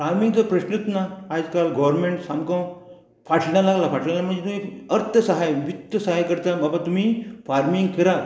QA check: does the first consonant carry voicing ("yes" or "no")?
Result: no